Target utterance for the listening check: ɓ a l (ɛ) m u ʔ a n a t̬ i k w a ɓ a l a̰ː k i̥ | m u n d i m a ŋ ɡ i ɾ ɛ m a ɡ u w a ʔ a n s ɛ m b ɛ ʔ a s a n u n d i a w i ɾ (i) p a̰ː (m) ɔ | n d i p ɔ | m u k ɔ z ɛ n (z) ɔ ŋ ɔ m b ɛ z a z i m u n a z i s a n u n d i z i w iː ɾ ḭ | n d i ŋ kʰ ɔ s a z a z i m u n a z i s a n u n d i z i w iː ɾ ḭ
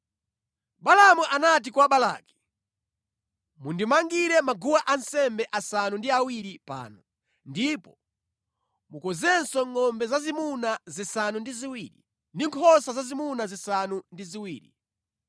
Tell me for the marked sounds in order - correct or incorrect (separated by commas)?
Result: incorrect, correct, incorrect, incorrect